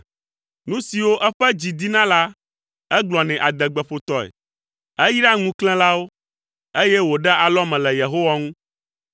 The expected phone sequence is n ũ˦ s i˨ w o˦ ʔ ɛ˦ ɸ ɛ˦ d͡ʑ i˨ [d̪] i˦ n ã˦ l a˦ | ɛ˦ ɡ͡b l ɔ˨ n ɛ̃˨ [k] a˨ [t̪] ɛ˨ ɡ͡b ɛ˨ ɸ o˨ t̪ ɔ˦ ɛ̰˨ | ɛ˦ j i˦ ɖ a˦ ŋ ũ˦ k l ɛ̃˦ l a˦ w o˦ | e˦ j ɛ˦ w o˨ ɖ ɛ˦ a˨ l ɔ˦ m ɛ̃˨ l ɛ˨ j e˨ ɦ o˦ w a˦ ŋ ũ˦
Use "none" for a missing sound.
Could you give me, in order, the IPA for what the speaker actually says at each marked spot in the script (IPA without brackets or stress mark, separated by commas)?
d̪, ʔ, d̪